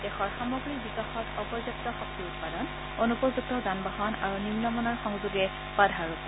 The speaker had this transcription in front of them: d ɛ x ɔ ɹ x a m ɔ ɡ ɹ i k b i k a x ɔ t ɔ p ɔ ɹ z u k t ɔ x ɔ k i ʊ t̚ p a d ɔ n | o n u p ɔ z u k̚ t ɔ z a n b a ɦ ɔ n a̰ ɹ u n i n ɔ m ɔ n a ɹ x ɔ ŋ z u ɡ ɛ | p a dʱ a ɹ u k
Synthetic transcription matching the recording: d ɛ x ɔ ɹ x a m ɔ ɡ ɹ i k b i k a x ɔ t ɔ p ɔ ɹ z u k t ɔ x ɔ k i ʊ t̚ p a d ɔ n | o n u p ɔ z u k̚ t ɔ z a n b a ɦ ɔ n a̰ ɹ u n i n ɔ m ɔ n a ɹ x ɔ ŋ z u ɡ ɛ | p a dʱ a ɹ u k